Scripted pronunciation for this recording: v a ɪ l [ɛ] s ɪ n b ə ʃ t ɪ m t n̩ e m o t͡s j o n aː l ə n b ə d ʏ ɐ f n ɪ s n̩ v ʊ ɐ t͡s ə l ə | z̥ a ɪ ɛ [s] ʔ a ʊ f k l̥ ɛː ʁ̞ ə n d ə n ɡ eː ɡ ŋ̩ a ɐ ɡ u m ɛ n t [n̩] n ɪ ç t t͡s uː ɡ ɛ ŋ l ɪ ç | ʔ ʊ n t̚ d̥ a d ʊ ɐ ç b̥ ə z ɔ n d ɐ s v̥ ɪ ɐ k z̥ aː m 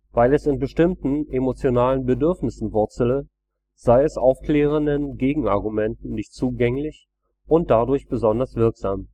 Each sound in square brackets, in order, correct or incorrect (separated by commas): correct, correct, correct